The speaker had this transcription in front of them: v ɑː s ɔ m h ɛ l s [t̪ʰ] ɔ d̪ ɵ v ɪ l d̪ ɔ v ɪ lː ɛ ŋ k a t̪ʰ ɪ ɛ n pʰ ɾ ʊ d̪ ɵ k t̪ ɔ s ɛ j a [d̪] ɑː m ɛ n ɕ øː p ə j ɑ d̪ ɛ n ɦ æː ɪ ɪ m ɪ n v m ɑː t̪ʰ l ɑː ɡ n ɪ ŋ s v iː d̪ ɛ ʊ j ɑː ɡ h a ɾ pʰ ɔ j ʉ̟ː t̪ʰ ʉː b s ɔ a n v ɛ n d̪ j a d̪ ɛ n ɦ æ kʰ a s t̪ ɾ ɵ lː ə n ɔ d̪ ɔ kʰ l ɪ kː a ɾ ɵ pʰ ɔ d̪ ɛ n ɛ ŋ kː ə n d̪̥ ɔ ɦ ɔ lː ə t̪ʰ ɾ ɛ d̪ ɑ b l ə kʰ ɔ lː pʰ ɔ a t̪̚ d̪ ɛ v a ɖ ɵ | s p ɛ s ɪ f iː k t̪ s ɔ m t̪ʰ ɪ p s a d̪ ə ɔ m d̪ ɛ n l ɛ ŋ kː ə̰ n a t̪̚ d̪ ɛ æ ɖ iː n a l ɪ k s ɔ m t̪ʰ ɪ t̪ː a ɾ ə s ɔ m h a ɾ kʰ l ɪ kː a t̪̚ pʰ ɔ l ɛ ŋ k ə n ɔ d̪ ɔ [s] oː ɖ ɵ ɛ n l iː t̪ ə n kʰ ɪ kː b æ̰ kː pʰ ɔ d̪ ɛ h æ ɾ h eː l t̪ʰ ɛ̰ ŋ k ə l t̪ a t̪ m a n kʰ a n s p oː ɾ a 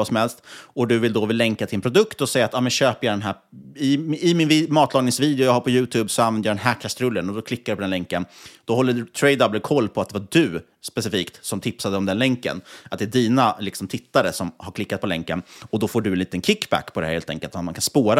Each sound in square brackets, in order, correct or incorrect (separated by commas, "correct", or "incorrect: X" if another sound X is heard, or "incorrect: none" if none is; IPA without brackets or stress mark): incorrect: t̪, incorrect: t̪, incorrect: f